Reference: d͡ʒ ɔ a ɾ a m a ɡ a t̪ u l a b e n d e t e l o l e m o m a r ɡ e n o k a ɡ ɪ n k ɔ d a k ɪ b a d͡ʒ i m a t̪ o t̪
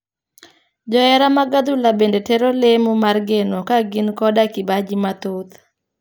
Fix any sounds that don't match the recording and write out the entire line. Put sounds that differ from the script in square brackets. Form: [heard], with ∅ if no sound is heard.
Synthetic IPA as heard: d͡ʒ ɔ [ɛ] ɾ a m a ɡ a [d̪] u l a b e n d e t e [ɾ] o l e m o m a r ɡ e n o k a ɡ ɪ n k ɔ d a k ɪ b a d͡ʒ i m a t̪ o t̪

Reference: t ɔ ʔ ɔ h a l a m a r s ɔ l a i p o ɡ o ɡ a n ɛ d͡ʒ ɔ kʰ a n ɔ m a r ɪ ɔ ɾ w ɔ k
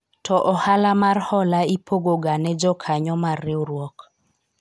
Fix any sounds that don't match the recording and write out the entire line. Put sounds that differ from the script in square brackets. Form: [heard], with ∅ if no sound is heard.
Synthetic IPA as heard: t ɔ ʔ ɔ h a l a m a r [h] ɔ l a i p o ɡ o ɡ a n ɛ d͡ʒ ɔ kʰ a [ɲ] ɔ m a r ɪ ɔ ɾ w ɔ k

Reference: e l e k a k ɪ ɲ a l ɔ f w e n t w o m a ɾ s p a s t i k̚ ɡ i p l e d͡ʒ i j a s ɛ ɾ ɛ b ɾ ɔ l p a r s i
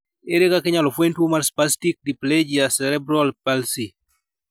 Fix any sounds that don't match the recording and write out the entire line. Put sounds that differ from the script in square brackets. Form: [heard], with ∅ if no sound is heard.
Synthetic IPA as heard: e [ɾ] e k a k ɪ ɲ a l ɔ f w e n t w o m a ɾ s p a s t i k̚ [d] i p l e d͡ʒ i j a s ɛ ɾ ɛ b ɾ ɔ l p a [l] s i

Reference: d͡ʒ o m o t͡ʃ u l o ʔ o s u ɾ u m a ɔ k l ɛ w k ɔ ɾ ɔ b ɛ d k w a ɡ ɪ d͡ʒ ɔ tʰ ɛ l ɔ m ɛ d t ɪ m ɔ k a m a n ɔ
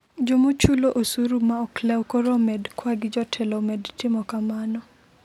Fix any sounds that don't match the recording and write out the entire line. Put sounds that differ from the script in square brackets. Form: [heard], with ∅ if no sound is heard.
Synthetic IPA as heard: d͡ʒ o m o t͡ʃ u l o ʔ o s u ɾ u m a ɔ k l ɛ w k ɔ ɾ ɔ [m] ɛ d k w a ɡ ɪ d͡ʒ ɔ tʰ ɛ l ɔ m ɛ d t ɪ m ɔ k a m a n ɔ

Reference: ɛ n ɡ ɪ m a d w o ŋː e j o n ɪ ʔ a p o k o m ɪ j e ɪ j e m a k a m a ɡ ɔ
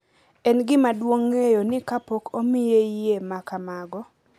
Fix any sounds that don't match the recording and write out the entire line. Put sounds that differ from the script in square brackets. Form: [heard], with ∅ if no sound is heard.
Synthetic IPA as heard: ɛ n ɡ ɪ m a d w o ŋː e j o n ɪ [k] a p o k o m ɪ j e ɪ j e m a k a m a ɡ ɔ

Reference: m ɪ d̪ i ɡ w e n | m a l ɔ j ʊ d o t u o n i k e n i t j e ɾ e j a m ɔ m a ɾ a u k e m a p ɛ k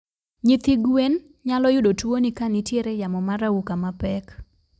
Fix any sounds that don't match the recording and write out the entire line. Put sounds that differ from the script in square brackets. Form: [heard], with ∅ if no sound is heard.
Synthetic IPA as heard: [ɲ] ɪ [t̪] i ɡ w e n | [ɲ] a l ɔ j ʊ d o t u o n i k [a] n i t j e ɾ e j a m ɔ m a ɾ a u k [a] m a p ɛ k

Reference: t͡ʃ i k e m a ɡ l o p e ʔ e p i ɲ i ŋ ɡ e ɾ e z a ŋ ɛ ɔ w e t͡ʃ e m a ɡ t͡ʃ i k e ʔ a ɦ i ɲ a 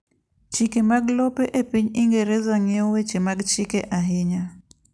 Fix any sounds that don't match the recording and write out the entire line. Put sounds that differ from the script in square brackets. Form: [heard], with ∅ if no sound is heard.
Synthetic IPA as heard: t͡ʃ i k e m a ɡ l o p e ʔ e p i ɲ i ŋ ɡ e ɾ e z a ŋ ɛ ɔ w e t͡ʃ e m a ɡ t͡ʃ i k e ʔ a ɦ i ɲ a

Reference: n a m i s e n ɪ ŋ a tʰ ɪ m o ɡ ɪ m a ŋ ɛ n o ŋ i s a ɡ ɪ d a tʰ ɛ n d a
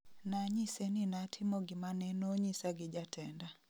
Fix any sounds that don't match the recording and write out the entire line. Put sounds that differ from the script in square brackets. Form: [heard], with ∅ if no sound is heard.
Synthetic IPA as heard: n a [ɲ] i s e n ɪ [n] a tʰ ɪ m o ɡ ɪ m a [n] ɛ n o [ɲ] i s a ɡ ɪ [d͡ʒ] a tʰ ɛ n d a

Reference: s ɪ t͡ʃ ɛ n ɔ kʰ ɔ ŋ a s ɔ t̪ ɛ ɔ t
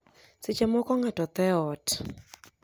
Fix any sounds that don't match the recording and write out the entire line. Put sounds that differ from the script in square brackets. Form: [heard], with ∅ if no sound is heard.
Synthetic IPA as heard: s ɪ t͡ʃ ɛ [m] ɔ [k] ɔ ŋ a [t] ɔ t̪ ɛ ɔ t

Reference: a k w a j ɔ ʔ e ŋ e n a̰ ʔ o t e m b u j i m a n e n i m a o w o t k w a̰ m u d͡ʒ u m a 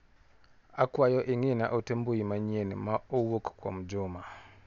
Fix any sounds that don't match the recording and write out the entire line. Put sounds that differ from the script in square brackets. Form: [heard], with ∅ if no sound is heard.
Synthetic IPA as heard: a k w a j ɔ ʔ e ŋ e n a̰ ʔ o t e m b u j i m a [ɲ] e n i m a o w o [k] k w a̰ m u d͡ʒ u m a

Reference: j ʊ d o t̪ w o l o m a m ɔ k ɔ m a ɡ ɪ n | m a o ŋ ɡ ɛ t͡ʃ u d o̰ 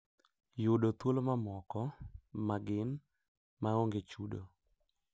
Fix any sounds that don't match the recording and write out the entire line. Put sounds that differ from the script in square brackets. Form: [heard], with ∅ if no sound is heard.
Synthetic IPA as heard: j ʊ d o t̪ w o l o m a m ɔ k ɔ m a ɡ ɪ n | m a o ŋ ɡ [e] t͡ʃ u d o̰

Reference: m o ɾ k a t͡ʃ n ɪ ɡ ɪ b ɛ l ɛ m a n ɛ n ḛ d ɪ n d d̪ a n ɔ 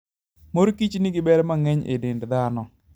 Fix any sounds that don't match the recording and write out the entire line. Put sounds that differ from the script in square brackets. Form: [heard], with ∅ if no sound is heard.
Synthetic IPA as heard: m o ɾ k [i] t͡ʃ n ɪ ɡ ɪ b ɛ [ɾ] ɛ m a [ŋ] ɛ [ɲ] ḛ d ɪ n d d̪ a n ɔ

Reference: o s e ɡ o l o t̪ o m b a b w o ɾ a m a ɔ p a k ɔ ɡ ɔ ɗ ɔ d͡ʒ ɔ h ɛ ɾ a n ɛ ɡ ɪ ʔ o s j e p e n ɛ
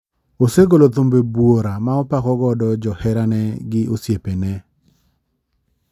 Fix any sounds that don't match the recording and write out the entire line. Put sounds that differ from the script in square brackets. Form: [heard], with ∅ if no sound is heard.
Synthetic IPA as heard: o s e ɡ o l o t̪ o m b [e] b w o ɾ a m a ɔ p a k ɔ ɡ ɔ [d] ɔ d͡ʒ ɔ h ɛ ɾ a n ɛ ɡ ɪ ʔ o s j e p e n ɛ

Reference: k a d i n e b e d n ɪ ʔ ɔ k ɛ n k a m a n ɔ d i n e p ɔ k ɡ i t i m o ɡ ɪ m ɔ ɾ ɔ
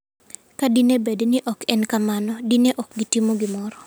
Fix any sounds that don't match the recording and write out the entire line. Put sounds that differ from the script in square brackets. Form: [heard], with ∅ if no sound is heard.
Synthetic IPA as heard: k a d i n e b e d n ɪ ʔ ɔ k ɛ n k a m a n ɔ d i n e [ʔ] ɔ k ɡ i t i m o ɡ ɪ m ɔ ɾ ɔ

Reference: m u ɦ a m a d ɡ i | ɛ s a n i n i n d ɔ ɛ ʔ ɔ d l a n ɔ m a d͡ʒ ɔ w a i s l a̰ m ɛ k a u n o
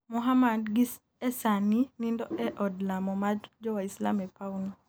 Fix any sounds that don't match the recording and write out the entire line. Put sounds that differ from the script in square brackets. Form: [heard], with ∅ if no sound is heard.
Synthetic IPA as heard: m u ɦ a m a d ɡ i | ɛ s a n i n i n d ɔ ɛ ʔ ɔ d l a [m] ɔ m a d͡ʒ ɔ w a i s l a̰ m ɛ [p] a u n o

